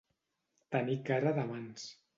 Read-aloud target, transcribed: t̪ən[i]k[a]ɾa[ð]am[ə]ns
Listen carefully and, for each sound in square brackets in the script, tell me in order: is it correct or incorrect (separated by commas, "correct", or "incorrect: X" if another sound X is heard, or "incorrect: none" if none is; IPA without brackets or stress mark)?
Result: correct, correct, correct, incorrect: a